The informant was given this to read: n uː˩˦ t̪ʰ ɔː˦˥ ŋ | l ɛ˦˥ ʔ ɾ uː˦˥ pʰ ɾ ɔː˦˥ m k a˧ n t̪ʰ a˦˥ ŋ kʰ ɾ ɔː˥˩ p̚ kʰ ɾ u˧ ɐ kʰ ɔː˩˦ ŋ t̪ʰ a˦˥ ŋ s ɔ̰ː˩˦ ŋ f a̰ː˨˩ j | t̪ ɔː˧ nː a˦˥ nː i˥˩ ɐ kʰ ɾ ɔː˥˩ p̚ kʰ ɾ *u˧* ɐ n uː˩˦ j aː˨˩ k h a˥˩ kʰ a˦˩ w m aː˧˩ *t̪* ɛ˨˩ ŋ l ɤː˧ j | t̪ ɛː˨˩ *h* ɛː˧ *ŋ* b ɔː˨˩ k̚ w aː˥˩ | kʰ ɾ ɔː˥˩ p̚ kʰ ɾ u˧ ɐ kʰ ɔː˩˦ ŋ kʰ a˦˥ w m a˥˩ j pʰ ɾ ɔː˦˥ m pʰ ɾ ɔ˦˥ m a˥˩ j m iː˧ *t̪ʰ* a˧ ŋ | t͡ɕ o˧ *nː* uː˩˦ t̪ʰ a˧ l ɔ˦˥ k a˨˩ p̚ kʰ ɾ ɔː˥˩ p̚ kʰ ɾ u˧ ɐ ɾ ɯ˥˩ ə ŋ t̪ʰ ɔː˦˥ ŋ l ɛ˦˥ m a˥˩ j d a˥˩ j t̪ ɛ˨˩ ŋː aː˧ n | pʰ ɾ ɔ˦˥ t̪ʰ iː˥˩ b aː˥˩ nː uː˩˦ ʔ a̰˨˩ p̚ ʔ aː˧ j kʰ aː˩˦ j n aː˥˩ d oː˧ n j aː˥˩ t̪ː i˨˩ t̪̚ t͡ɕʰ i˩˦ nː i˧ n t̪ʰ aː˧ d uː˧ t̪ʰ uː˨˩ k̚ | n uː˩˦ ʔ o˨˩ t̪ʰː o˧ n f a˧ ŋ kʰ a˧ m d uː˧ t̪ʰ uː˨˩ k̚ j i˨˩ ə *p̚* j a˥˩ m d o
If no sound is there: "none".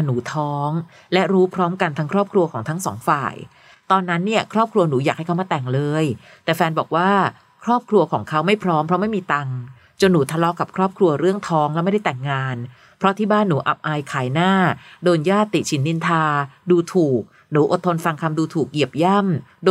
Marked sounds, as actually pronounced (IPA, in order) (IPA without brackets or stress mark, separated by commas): u˧, t̪, f, n, t̪, nː, p̚